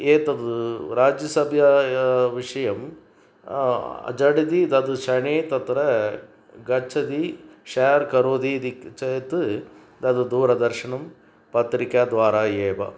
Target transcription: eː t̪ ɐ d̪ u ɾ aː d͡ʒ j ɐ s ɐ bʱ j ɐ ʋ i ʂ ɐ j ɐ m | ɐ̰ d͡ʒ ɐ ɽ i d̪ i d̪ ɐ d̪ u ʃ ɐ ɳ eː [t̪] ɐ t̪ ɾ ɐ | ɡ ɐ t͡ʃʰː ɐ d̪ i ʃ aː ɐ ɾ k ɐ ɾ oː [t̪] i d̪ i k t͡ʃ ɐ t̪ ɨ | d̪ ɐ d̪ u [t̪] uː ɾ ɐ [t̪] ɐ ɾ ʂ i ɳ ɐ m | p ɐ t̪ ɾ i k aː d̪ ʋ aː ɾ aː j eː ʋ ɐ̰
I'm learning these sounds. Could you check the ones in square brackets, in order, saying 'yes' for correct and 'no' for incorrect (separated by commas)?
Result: yes, no, no, no